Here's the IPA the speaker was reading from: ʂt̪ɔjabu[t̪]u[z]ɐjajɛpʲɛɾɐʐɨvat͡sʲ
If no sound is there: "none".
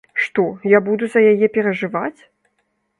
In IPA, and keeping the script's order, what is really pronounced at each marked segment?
d̪, z

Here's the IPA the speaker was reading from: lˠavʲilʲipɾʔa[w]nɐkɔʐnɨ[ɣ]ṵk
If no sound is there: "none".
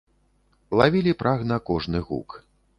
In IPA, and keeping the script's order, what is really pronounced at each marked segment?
ɣ, ɣ

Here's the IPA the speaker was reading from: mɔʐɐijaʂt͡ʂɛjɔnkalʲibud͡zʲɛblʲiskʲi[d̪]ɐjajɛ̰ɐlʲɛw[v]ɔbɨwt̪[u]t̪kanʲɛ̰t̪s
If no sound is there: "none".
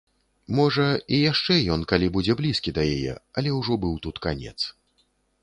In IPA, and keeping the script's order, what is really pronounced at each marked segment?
d̪, ʐ, u

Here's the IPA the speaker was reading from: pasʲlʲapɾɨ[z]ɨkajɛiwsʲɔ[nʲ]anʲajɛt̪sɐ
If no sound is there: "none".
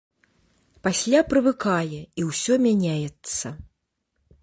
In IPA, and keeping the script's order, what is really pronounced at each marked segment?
v, mʲ

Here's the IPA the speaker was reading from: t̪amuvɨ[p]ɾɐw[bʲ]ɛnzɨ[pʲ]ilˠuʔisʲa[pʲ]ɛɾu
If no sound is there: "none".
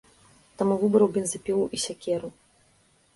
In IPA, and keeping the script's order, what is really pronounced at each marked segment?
b, bʲ, pʲ, kʲ

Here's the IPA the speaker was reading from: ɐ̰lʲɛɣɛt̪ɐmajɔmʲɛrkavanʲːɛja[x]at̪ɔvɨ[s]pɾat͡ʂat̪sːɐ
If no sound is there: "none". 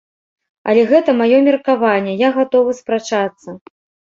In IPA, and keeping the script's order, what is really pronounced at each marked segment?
ɣ, s

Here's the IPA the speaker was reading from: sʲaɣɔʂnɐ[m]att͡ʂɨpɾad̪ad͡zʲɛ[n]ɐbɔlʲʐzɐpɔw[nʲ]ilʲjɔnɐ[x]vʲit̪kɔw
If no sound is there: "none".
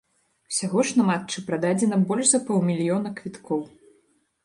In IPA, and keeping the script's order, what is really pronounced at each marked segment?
m, n, mʲ, k

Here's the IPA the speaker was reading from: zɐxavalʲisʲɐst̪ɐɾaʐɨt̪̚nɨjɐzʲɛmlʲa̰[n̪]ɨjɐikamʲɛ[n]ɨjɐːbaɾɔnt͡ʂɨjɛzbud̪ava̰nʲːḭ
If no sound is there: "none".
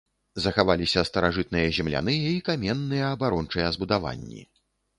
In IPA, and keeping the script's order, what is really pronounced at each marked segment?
n̪, nː

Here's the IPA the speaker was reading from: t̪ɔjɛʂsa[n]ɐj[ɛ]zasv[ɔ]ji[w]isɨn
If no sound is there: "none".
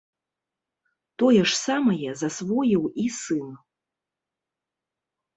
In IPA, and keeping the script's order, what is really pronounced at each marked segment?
m, ɛ, ɔ, w

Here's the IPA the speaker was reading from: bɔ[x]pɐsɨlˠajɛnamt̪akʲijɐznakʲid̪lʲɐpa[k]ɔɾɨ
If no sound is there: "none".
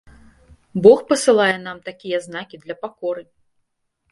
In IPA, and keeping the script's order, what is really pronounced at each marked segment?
x, k

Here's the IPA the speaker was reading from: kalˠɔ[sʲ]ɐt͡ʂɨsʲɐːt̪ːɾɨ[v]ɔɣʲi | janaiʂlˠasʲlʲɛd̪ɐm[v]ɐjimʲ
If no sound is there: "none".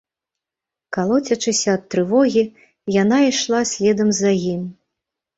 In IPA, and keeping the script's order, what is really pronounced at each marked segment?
t͡sʲ, v, z

